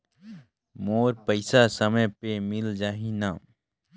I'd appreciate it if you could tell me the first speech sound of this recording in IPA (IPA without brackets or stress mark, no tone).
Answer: m